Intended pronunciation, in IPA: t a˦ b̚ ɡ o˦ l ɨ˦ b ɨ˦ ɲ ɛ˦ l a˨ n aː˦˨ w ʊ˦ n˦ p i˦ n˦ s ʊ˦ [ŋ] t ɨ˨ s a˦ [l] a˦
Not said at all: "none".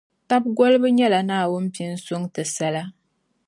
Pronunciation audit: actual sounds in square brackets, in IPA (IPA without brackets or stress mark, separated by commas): ŋ, l